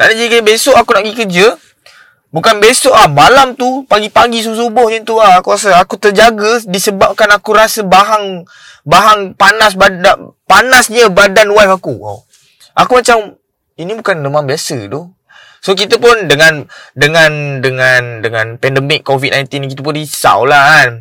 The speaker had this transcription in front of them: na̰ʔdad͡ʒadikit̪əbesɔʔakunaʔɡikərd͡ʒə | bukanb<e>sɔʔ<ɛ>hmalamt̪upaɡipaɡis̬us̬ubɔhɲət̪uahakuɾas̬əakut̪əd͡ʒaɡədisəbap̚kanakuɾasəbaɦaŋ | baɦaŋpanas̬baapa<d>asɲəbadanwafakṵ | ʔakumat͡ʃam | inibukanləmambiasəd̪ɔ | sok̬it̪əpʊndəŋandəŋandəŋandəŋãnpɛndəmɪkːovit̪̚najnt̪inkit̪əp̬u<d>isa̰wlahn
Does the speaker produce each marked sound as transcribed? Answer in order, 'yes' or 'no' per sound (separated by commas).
yes, no, no, no